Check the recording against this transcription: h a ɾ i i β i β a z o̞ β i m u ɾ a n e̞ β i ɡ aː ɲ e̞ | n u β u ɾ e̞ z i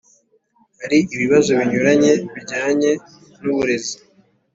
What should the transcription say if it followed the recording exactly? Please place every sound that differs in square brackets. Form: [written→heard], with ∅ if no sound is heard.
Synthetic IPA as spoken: h a ɾ i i β i β a z o̞ β i [m→ɲ] u ɾ a [n→ɲ] e̞ β i [ɡ→ɟ] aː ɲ e̞ | n u β u ɾ e̞ z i